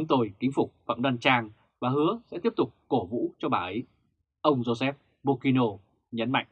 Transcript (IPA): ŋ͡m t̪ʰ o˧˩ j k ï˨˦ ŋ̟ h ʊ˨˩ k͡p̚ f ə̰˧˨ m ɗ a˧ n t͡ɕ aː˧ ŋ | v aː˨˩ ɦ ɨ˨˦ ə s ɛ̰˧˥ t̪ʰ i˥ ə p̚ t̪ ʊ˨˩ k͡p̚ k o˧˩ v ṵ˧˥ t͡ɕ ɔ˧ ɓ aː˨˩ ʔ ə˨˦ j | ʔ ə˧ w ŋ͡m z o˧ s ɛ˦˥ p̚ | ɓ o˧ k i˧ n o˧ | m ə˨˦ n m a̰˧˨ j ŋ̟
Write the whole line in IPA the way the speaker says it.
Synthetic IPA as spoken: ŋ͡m t̪ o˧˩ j k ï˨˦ ŋ̟ f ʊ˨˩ k͡p̚ f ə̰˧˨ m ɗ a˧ n t͡ɕ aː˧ ŋ | v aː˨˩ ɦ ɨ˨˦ ə s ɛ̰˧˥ t̪ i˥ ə p̚ t̪ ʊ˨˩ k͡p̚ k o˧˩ v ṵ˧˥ t͡ɕ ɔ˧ ɓ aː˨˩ ʔ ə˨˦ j | ʔ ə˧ w ŋ͡m z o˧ s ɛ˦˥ p̚ | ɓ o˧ k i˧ n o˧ | ɲ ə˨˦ n m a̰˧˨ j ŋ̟